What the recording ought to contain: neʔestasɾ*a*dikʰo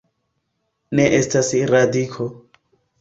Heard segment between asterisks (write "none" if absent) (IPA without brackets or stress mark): a